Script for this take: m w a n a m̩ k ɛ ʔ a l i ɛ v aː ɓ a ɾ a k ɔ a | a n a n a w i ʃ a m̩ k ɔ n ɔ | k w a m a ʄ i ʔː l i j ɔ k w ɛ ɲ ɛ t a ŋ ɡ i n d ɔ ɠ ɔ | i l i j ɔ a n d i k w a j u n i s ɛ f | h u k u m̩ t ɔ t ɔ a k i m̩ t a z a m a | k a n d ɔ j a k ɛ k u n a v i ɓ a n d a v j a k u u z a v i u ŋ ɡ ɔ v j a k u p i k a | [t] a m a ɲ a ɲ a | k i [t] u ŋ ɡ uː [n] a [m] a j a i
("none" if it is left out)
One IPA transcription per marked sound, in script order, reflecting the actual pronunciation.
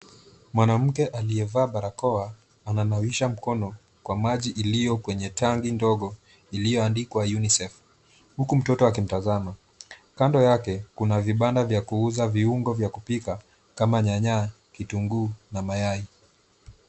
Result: k, t, n, m

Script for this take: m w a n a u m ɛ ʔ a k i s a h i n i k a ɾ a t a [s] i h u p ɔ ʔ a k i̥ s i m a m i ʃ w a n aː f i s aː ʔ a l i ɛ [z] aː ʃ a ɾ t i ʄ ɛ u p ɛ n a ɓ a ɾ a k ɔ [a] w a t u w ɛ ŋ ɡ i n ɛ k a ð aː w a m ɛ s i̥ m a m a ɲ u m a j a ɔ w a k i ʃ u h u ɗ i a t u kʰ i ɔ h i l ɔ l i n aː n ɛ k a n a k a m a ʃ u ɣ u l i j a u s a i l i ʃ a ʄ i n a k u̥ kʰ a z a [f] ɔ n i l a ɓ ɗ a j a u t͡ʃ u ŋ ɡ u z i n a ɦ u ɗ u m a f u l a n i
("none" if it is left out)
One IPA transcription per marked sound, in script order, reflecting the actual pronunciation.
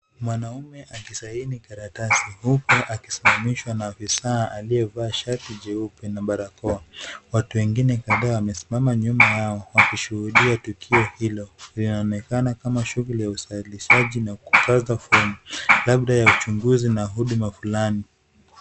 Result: s, v, a, f

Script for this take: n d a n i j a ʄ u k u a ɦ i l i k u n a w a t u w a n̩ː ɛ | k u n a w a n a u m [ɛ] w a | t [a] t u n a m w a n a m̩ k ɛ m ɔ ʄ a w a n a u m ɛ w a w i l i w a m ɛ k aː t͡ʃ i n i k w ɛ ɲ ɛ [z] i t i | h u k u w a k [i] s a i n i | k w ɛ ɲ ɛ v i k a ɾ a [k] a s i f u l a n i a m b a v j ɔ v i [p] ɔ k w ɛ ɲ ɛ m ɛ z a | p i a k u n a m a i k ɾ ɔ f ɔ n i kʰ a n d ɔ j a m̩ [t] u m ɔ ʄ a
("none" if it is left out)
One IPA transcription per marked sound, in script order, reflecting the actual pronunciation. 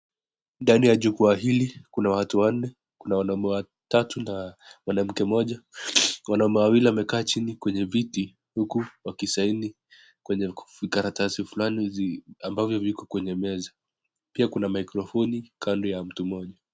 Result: ɛ, a, v, i, t, k, t

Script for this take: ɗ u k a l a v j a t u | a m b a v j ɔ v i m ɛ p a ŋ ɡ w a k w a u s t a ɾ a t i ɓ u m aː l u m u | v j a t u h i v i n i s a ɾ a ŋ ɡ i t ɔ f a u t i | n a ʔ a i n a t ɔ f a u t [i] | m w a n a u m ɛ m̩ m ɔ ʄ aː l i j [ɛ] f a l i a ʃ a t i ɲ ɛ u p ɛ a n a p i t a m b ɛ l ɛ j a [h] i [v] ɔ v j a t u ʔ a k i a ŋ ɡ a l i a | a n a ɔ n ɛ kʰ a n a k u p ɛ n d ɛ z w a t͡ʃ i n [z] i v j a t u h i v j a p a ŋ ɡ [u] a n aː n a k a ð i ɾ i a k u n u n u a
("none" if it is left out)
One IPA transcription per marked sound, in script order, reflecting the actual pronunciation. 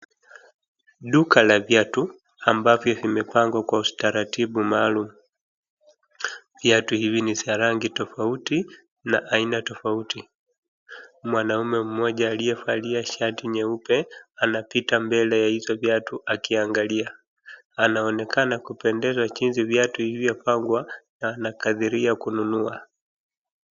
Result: i, ɛ, h, z, z, w

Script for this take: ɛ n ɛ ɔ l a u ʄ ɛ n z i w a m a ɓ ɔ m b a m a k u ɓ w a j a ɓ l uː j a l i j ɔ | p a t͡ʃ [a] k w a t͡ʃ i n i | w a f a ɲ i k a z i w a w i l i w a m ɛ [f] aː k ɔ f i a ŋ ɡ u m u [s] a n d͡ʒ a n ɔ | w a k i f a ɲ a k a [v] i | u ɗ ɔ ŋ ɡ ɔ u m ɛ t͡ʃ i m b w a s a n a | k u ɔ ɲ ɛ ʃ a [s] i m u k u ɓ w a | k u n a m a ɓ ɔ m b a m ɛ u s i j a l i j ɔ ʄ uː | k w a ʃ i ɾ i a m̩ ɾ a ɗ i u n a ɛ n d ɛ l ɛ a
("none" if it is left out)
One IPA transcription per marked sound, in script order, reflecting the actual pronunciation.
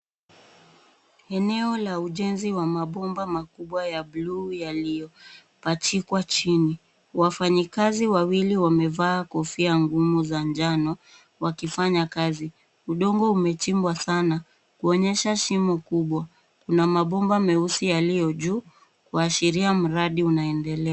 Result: i, v, z, z, ʃ

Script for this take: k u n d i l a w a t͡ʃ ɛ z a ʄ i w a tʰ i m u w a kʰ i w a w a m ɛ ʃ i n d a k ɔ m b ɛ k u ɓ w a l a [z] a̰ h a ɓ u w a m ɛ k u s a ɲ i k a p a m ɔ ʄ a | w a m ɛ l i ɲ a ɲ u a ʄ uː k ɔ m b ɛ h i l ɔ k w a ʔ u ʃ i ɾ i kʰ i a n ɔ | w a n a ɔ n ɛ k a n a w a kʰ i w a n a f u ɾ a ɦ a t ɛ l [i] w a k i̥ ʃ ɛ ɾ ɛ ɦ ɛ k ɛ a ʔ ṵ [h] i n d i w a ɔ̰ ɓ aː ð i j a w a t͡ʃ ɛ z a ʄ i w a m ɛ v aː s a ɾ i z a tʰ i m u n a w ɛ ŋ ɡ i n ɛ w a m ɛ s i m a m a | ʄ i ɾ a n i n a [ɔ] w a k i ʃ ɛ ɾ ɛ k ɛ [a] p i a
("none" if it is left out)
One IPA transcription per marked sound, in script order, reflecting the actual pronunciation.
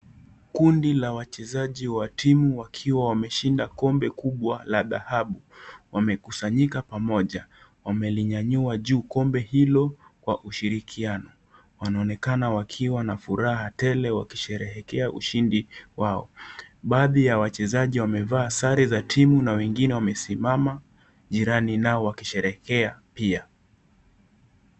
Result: ð, ɛ, ʃ, ɔ, a

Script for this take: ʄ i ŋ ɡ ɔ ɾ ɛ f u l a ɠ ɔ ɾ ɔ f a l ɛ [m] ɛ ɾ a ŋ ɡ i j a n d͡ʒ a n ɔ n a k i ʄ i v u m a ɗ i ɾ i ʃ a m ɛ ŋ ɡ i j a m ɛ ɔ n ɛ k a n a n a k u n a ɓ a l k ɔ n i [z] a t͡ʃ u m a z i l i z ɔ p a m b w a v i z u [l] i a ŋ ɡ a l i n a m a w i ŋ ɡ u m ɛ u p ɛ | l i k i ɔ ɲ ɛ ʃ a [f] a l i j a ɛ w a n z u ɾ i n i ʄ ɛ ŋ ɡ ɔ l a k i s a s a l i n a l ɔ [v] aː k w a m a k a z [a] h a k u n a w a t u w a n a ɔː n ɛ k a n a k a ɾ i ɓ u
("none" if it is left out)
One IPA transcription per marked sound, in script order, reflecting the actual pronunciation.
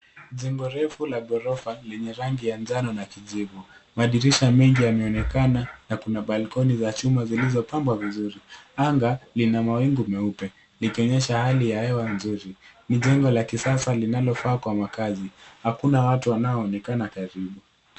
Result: ɲ, z, ɾ, h, f, i

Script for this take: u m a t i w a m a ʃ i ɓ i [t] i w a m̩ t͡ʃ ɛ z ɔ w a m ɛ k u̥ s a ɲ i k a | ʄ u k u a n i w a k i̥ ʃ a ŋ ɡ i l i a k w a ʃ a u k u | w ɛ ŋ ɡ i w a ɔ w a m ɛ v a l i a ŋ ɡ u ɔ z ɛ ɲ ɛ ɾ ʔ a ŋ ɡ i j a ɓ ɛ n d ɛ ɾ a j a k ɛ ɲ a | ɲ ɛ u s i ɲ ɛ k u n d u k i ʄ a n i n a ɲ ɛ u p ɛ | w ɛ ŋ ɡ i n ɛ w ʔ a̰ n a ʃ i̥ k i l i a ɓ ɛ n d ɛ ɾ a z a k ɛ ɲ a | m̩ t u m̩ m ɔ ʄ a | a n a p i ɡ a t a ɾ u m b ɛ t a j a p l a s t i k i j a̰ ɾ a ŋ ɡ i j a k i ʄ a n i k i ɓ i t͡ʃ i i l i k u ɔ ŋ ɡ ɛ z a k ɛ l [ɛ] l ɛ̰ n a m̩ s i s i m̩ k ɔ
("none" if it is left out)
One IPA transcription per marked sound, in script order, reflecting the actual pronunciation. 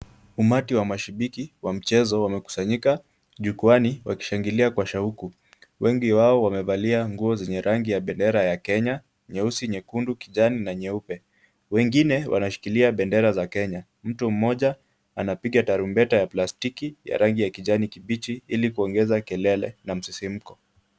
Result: k, ɛ

